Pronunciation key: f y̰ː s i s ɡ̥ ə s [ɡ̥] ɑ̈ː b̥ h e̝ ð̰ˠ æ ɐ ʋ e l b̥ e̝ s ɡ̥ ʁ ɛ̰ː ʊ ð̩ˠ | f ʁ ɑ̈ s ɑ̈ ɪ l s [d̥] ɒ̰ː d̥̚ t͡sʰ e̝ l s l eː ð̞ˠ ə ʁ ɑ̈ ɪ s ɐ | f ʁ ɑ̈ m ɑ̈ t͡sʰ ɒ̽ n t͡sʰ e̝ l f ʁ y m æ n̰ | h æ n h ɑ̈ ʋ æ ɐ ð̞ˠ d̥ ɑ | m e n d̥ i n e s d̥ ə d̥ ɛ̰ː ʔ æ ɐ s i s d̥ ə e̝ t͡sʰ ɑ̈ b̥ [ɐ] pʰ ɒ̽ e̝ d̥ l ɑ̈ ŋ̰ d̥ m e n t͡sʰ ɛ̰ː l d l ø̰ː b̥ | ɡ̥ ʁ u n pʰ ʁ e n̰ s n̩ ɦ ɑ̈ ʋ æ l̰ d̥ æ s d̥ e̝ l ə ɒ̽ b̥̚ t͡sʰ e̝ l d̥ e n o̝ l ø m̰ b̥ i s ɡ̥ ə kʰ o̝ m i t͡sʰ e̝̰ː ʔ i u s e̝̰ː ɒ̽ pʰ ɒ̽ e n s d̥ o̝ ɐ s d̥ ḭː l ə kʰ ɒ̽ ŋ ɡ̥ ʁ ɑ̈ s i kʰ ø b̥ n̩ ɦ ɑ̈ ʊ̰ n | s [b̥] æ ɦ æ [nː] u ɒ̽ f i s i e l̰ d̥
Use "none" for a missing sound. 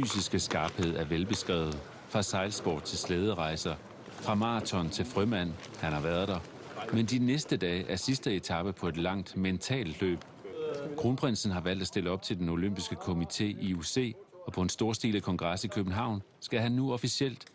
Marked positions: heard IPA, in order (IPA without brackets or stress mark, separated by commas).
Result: ɡ̥, b̥, ə, ɡ̥, nː